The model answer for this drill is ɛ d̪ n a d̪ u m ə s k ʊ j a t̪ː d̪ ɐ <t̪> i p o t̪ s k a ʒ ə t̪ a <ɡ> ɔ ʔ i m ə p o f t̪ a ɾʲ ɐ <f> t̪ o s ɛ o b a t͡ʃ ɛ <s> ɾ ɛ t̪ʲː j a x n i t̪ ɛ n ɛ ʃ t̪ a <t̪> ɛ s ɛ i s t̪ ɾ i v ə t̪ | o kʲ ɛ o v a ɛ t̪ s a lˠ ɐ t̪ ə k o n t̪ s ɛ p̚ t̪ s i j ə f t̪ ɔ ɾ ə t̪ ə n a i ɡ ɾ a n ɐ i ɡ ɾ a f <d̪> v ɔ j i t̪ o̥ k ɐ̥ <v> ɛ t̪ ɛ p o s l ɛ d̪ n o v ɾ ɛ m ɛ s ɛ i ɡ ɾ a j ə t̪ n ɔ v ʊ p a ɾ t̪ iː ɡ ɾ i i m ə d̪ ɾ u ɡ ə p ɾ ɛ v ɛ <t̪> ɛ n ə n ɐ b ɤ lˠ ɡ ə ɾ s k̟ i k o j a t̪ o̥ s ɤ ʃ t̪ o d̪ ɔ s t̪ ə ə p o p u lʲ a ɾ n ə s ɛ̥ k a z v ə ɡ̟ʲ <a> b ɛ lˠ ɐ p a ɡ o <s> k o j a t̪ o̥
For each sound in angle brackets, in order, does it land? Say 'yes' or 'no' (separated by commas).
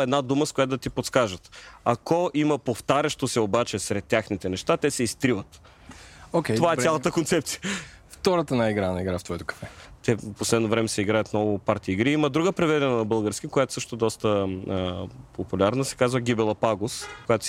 yes, no, no, yes, yes, no, no, no, no, yes